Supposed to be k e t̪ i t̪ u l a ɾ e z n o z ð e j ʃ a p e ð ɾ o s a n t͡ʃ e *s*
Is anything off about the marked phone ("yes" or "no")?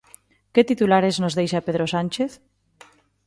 yes